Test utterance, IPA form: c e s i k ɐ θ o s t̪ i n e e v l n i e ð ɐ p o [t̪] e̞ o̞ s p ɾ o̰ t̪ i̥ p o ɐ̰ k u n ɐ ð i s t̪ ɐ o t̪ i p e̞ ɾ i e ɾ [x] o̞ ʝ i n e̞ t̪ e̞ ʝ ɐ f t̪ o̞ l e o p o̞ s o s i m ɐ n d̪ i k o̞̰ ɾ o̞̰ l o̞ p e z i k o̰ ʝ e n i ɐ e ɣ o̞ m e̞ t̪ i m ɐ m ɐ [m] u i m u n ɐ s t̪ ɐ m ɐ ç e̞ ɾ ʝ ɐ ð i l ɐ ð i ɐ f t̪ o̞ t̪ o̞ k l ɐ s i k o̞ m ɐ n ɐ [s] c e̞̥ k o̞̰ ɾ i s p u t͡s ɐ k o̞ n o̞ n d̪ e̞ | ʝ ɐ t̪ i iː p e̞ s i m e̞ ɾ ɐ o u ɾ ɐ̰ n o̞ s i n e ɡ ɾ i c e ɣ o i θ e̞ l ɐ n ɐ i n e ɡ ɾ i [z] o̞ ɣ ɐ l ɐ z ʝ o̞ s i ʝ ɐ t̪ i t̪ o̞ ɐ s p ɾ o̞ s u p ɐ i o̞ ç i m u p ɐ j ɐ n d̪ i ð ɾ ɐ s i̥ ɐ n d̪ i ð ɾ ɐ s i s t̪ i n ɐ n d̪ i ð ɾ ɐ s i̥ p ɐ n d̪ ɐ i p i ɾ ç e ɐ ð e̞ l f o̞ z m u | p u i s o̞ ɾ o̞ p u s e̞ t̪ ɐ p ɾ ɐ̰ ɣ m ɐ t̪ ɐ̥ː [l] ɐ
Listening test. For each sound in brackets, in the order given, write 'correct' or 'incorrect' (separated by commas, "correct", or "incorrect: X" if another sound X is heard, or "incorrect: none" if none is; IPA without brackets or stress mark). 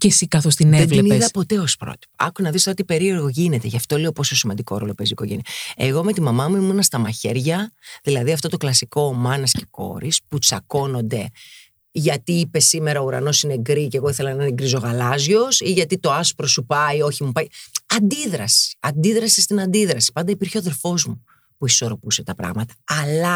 correct, incorrect: ɣ, correct, correct, correct, correct